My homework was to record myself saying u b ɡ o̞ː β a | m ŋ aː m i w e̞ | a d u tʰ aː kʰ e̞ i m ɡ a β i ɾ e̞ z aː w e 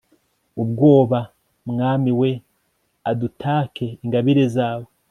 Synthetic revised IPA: u b ɡ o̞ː β a | m ŋ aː m i w e̞ | a d u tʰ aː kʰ e̞ i ŋ ɡ a β i ɾ e̞ z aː w e

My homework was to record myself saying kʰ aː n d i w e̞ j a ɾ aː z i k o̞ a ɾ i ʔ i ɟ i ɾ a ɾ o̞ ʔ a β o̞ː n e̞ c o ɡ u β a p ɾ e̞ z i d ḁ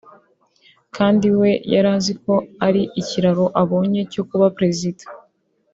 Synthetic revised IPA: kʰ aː n d i w e̞ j a ɾ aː z i k o̞ a ɾ i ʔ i c i ɾ a ɾ o̞ ʔ a β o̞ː ɲ e̞ c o k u β a p ɾ e̞ z i d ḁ

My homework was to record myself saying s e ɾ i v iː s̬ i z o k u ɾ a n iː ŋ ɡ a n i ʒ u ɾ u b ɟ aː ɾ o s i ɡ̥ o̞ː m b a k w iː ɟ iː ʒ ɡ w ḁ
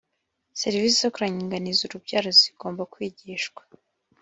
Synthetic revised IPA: s e ɾ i v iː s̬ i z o k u ɾ a ɲ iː ŋ ɡ a n i z u ɾ u b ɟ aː ɾ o z i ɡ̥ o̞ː m b a k w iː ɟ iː ʃ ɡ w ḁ

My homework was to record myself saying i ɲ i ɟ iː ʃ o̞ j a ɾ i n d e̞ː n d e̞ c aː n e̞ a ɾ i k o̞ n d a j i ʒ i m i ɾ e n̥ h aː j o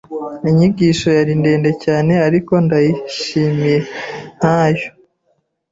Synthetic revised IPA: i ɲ i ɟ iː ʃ o̞ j a ɾ i n d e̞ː n d e̞ c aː n e̞ a ɾ i k o̞ n d a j i ʃ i m i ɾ e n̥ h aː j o

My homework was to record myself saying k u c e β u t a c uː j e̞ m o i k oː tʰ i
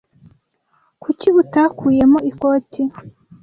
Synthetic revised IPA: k u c i β u t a k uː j e̞ m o i k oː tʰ i

